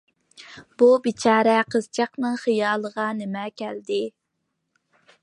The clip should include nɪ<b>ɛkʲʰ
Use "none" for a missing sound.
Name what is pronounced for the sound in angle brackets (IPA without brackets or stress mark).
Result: m